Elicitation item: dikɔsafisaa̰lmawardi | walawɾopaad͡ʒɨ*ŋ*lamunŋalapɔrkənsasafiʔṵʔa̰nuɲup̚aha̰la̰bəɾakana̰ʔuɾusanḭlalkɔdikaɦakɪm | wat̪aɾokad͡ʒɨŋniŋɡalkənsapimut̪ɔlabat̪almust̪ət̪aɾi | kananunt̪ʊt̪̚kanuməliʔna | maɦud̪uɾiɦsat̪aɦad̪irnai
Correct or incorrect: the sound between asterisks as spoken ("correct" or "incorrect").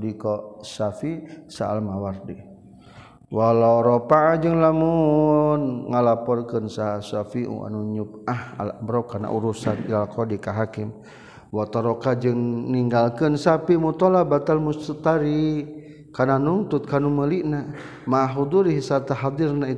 correct